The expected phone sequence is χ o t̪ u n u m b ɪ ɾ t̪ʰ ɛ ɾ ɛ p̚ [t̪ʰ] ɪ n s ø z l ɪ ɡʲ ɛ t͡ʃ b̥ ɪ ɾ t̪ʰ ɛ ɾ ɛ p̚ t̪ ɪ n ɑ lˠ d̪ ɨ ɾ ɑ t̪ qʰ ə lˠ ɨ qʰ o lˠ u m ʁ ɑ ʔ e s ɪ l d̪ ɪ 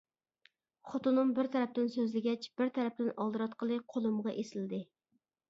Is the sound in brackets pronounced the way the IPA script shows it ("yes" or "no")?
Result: no